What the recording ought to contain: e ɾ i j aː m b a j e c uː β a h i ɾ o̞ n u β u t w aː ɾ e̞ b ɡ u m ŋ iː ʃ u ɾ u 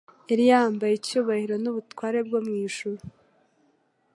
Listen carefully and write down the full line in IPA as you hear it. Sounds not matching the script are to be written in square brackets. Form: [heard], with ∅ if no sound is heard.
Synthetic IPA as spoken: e ɾ i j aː m b a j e c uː β a h i ɾ o̞ n u β u t w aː ɾ e̞ b ɡ [o] m ŋ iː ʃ u ɾ u